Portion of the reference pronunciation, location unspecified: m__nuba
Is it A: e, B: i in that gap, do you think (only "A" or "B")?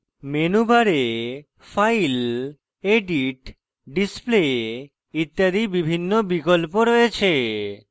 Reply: A